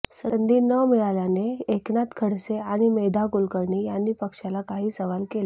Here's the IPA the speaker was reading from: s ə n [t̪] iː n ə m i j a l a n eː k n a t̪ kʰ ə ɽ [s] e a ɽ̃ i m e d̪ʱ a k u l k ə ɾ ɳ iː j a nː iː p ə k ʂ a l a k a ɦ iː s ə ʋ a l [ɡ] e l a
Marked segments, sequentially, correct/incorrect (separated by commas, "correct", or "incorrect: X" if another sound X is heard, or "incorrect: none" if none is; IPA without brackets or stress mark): incorrect: d̪, correct, incorrect: k